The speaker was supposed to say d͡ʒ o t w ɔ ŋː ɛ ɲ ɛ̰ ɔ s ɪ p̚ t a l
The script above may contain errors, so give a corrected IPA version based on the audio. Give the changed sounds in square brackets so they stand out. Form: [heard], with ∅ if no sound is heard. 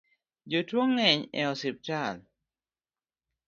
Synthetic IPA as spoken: d͡ʒ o t w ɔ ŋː ɛ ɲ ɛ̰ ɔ s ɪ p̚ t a l